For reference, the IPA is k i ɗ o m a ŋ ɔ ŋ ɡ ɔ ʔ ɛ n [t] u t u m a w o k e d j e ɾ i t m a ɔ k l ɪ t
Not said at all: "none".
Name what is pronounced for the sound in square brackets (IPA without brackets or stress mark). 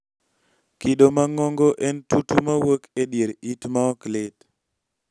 t